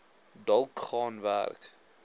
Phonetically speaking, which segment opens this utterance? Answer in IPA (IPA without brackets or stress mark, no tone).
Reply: d